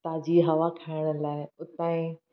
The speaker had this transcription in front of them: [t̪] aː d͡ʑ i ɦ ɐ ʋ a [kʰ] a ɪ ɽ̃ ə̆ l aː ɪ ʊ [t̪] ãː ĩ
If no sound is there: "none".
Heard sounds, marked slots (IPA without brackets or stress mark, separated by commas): t̪, kʰ, t̪